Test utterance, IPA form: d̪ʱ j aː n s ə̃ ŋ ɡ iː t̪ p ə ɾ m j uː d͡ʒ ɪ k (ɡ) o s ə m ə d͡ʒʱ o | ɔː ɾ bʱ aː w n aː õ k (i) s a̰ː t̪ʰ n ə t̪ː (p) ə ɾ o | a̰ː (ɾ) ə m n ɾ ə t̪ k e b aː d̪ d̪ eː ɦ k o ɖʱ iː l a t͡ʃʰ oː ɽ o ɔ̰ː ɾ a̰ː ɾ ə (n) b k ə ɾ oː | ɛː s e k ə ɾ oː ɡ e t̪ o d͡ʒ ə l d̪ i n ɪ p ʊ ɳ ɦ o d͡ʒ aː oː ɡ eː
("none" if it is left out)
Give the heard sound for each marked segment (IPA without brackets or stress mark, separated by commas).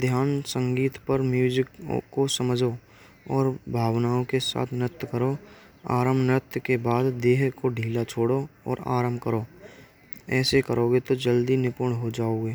k, e, k, ɾ, m